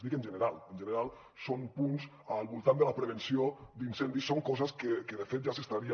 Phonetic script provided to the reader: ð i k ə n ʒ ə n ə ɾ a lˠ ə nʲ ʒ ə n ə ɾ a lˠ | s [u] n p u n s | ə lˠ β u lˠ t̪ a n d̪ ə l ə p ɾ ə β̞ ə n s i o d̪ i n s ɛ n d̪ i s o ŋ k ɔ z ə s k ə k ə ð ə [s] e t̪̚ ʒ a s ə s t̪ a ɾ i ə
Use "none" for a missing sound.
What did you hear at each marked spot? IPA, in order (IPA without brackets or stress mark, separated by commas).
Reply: o, f